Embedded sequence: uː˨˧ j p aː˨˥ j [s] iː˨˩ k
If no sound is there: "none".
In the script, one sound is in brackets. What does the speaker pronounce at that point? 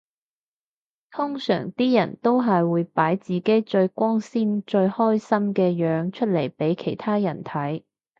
t͡s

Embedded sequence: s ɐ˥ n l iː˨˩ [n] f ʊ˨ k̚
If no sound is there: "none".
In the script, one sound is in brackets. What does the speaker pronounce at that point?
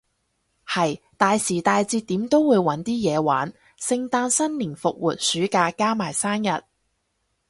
n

